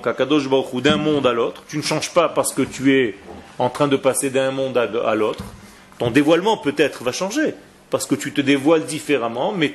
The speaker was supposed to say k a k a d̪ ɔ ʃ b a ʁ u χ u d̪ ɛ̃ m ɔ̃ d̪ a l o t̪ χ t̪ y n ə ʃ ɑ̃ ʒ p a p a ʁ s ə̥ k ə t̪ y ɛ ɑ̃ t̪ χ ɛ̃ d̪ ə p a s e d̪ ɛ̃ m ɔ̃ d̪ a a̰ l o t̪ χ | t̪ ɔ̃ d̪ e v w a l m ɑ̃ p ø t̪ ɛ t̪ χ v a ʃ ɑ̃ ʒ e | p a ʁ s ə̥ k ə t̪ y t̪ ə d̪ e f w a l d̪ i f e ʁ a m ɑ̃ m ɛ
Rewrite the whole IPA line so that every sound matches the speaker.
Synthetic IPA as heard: k a k a d̪ ɔ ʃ b a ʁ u χ u d̪ ɛ̃ m ɔ̃ d̪ a l o t̪ χ t̪ y n ə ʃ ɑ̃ ʒ p a p a ʁ s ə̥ k ə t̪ y ɛ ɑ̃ t̪ χ ɛ̃ d̪ ə p a s e d̪ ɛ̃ m ɔ̃ d̪ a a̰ l o t̪ χ | t̪ ɔ̃ d̪ e v w a l m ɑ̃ p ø t̪ ɛ t̪ χ v a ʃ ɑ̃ ʒ e | p a ʁ s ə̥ k ə t̪ y t̪ ə d̪ e v w a l d̪ i f e ʁ a m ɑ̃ m ɛ